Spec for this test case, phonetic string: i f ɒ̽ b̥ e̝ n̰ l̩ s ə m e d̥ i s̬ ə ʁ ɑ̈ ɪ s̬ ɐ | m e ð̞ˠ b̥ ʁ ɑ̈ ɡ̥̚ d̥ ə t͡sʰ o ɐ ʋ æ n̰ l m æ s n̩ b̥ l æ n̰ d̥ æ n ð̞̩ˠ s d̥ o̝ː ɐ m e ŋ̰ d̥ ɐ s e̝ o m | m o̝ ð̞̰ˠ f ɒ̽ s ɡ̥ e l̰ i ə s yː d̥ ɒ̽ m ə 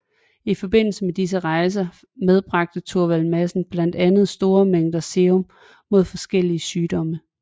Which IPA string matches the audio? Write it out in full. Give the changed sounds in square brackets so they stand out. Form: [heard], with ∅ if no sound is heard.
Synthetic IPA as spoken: i f ɒ̽ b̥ e̝ n̰ l̩ s ə m e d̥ i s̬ ə ʁ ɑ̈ ɪ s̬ ɐ | m e ð̞ˠ b̥ ʁ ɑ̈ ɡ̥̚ d̥ ə t͡sʰ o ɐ ʋ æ [∅] l m æ s n̩ b̥ l æ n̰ d̥ æ n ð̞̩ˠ s d̥ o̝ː ɐ m e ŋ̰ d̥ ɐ s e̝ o m | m o̝ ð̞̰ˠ f ɒ̽ s ɡ̥ e l̰ i ə s yː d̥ ɒ̽ m ə